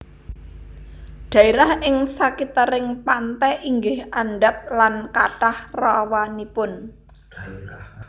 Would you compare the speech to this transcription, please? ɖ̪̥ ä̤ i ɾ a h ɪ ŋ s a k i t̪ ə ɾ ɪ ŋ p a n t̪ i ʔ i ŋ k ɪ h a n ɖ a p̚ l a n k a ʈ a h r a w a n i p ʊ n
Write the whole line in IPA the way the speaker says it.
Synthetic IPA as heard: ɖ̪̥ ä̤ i ɾ a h ɪ ŋ s a k i t̪ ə ɾ ɪ ŋ p a n t̪ ɛ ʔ i ŋ ɡ ɪ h a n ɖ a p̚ l a n k a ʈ a h r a w a n i p ʊ n